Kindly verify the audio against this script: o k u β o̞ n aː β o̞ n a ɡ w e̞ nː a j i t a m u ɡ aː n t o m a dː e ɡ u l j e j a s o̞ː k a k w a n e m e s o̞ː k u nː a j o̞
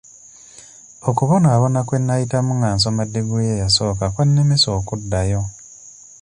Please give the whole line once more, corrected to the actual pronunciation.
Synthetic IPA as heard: o k u β o̞ n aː β o̞ n a k w e̞ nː a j i t a m u ŋ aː n s o m a dː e ɡ u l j e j a s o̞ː k a k w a nː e m e s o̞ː k u dː a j o̞